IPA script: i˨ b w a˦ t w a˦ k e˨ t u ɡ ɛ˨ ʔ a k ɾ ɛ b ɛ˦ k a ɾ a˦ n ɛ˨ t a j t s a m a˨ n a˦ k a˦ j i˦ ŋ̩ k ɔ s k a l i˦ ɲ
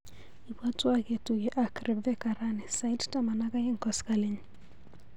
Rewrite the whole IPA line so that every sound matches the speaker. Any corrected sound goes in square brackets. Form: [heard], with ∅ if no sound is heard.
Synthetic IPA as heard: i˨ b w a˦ t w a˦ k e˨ t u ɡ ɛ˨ ʔ a k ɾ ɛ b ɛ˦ k a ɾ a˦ n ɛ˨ [s] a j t [t] a m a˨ n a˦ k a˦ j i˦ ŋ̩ k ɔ s k a l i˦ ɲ